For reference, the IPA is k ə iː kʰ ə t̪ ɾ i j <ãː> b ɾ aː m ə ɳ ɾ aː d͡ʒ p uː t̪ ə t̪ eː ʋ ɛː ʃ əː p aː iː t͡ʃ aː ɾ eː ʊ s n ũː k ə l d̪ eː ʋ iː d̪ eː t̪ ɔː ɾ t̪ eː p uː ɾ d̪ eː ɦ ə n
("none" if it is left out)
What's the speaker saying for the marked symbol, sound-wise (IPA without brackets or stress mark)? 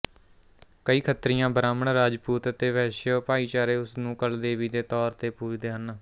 ãː